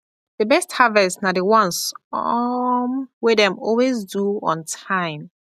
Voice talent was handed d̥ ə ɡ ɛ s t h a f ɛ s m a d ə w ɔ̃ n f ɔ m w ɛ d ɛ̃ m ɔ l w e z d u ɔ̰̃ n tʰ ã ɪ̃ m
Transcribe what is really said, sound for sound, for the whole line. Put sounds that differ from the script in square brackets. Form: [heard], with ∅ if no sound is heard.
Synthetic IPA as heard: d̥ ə [b] ɛ s t h a [v] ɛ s [n] a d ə w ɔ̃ n [s] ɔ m w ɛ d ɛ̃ m ɔ l w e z d u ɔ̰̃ n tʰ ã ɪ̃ m